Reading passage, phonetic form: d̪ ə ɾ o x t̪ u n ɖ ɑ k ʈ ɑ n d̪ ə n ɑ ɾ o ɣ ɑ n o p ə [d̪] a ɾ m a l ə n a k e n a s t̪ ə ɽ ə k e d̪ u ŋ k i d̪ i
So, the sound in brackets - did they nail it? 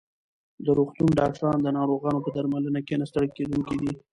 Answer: yes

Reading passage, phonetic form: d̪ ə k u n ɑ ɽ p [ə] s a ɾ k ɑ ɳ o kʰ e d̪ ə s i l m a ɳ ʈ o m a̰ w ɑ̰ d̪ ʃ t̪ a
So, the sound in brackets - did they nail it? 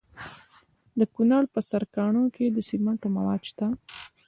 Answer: yes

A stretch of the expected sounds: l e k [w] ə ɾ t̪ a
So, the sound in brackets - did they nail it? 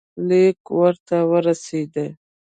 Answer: yes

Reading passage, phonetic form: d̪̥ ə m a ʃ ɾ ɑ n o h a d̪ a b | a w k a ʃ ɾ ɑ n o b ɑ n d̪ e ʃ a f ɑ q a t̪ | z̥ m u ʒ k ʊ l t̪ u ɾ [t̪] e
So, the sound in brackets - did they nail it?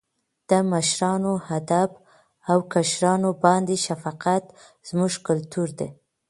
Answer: no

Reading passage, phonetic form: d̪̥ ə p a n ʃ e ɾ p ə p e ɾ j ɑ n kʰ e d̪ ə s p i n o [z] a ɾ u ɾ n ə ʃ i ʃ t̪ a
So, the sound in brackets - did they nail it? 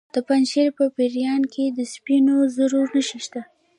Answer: yes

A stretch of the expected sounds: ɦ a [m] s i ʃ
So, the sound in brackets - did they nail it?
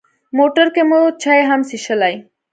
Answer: yes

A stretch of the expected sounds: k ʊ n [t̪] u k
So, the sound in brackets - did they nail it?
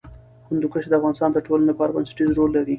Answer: no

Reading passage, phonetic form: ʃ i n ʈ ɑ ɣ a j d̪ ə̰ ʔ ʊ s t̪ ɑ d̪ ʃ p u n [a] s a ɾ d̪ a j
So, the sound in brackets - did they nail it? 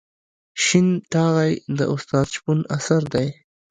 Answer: yes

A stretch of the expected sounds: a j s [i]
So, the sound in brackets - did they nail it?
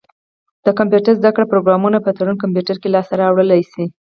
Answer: yes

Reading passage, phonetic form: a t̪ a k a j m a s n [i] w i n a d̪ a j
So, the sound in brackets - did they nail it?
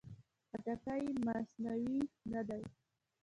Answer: no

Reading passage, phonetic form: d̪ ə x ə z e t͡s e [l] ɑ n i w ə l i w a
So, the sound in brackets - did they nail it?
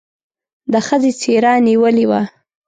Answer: no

